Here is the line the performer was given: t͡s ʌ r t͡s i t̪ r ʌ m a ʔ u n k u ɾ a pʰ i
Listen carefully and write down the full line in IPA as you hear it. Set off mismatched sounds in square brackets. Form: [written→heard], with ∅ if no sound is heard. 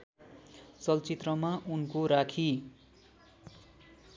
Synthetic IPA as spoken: t͡s ʌ [r→l] t͡s i t̪ r ʌ m a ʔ u n k [u→o] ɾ a [pʰ→kʰ] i